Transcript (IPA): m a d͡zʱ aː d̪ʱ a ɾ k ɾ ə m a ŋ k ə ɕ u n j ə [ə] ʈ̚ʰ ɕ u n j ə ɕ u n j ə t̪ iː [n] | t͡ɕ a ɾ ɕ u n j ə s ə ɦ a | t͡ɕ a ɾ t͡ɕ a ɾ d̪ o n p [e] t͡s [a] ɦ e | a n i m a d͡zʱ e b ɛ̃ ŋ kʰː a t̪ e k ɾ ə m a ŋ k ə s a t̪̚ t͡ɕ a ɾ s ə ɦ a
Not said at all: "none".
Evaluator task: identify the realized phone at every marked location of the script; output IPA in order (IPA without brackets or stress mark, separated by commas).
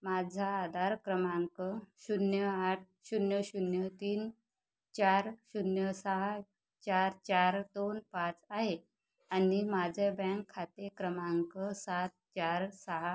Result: a, n, a, a